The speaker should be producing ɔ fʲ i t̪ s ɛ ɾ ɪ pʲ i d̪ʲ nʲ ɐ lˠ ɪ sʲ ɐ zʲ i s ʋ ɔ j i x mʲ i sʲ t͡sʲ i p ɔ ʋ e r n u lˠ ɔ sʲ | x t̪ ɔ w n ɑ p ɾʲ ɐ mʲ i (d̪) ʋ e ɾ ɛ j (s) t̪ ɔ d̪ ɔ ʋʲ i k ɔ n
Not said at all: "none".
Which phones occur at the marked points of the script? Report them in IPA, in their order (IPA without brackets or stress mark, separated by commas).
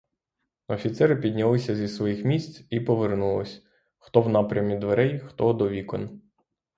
d̪, x